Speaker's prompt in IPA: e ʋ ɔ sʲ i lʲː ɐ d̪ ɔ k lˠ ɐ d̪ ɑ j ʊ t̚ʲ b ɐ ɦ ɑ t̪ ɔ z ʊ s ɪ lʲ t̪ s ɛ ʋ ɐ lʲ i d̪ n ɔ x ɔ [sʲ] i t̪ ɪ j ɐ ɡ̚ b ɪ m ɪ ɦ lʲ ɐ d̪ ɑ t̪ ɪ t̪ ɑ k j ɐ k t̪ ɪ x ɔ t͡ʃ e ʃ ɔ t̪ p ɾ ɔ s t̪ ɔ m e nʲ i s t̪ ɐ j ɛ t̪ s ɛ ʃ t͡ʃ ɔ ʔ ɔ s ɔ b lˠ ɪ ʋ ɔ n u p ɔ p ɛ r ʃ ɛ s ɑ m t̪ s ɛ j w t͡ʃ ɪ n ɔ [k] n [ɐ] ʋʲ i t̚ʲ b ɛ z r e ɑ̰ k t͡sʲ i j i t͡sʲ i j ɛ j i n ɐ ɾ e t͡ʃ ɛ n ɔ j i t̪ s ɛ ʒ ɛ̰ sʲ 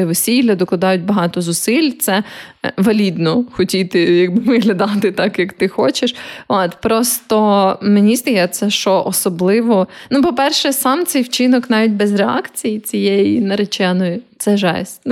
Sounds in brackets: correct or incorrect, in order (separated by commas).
incorrect, correct, incorrect